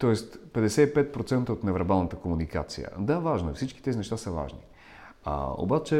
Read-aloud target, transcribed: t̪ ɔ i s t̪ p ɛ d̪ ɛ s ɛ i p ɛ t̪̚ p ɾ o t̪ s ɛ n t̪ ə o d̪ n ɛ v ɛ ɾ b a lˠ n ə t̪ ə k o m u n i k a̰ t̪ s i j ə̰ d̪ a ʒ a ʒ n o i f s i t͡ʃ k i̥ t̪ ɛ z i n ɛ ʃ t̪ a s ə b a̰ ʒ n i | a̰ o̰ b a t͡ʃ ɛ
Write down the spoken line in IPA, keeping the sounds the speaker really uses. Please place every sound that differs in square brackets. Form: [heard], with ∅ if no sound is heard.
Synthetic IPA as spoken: t̪ ɔ [ɛ] s t̪ p ɛ d̪ ɛ s ɛ i p ɛ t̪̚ p ɾ o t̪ s ɛ n t̪ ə o [t̪] n ɛ v ɛ ɾ b a lˠ n ə t̪ ə k o m u n i k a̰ t̪ s i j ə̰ d̪ a [v] a ʒ n o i f s i t͡ʃ k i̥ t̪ ɛ z i n ɛ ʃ t̪ a s ə [v] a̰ ʒ n i | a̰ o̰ b a t͡ʃ ɛ